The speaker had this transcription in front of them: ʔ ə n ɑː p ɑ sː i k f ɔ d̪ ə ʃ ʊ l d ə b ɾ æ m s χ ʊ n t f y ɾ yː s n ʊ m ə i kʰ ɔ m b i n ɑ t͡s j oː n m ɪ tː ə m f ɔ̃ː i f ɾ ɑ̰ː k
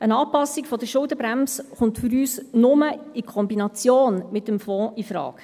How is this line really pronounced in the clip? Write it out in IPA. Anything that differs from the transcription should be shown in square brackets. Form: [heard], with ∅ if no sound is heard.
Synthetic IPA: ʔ ə n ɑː p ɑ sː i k f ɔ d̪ ə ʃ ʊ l d ə b ɾ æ m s χ ʊ n t f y ɾ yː s n ʊ m ə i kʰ ɔ m b i n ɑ t͡s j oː n m ɪ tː ə m f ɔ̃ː i f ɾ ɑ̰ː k